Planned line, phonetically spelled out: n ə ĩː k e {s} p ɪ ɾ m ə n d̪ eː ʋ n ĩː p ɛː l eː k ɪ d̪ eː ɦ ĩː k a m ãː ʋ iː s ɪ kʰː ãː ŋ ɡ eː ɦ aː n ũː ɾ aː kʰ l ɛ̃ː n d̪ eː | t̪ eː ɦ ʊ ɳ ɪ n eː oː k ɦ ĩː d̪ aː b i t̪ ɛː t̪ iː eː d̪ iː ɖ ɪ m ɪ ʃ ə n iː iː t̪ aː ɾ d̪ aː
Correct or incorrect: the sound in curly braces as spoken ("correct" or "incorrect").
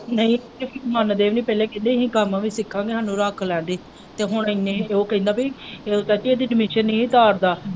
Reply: incorrect